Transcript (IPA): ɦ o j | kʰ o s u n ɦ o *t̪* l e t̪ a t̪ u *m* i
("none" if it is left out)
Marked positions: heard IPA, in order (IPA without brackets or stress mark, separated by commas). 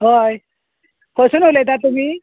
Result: none, m